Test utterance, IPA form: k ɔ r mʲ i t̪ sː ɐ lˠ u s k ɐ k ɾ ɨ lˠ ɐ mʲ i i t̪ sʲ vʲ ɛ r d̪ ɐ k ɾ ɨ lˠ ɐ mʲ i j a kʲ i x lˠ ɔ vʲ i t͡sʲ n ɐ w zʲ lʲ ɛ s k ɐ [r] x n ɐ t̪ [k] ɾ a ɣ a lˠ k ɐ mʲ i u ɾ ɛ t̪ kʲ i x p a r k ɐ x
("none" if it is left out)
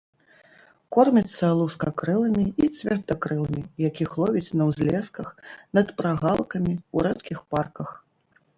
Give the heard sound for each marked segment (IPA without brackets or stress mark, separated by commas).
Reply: none, p